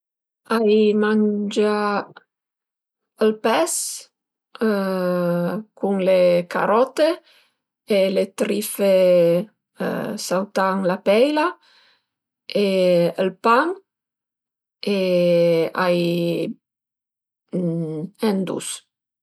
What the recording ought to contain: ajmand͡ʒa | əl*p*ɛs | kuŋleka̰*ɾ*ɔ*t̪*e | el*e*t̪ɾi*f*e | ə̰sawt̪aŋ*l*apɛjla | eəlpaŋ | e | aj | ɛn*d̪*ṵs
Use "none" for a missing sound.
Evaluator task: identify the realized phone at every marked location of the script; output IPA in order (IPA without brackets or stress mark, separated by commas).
p, ɾ, t̪, e, f, l, d̪